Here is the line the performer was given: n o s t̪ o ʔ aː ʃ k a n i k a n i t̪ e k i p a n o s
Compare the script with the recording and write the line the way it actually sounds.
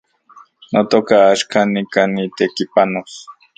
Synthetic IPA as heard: n o t̪ o k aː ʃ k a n i k a n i t̪ e k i p a n o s